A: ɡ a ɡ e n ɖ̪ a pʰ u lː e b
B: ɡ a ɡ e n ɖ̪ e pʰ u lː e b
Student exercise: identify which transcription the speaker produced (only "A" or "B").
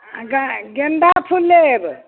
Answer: A